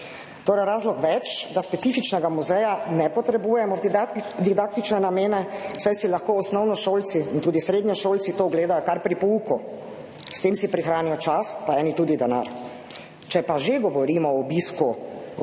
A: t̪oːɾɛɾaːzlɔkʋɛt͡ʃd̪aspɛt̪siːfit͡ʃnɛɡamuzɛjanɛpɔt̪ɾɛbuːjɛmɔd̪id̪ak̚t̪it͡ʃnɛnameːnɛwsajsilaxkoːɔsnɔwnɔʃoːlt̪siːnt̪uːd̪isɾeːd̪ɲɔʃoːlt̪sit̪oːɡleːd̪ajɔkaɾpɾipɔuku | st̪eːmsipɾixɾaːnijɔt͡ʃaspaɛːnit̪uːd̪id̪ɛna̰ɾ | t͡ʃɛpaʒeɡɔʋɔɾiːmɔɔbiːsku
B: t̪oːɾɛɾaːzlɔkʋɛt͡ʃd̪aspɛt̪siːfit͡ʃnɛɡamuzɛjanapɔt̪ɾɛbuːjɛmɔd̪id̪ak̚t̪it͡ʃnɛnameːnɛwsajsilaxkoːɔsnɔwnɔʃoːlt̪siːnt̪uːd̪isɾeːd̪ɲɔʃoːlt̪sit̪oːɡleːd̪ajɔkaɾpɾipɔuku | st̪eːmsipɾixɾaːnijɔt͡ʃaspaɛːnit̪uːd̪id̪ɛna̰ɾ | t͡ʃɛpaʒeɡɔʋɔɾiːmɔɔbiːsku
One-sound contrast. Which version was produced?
A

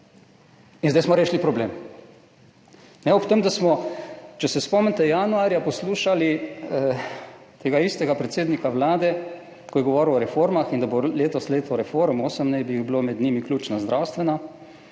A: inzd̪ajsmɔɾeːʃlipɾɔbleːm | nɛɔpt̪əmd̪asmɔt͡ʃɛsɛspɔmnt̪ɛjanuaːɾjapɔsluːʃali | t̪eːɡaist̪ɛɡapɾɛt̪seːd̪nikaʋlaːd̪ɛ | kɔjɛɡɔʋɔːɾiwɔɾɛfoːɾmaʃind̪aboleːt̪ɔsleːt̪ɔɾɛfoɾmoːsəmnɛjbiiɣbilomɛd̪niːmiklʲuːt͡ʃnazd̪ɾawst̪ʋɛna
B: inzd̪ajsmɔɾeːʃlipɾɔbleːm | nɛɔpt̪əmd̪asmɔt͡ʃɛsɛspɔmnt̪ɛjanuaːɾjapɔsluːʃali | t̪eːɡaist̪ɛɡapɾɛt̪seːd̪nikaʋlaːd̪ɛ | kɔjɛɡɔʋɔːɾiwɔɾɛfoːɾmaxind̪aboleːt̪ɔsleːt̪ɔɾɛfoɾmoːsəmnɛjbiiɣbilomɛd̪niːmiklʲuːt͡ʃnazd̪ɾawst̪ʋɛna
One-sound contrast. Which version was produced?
B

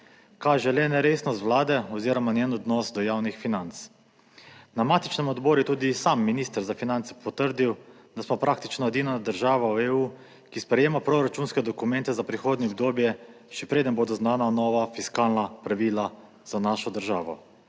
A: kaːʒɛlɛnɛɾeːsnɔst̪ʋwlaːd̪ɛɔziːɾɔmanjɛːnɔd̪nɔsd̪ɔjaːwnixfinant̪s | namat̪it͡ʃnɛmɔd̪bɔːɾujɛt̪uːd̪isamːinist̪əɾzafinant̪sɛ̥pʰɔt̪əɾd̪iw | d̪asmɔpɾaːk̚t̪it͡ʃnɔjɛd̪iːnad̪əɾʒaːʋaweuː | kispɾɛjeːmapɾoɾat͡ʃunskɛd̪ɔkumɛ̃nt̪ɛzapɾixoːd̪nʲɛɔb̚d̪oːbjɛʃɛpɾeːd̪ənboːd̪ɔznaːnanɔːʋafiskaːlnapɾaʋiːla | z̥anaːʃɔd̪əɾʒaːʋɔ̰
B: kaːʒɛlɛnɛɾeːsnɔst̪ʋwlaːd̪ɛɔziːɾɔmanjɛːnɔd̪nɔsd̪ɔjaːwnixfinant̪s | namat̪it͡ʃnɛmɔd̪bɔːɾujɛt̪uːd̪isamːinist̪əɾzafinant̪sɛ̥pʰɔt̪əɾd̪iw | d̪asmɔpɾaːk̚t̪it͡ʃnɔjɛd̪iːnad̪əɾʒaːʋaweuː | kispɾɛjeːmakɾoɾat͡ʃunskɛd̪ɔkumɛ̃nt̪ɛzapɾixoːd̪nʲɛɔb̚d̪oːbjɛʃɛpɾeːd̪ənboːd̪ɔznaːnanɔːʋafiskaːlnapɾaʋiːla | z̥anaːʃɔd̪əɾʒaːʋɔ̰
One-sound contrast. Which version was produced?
A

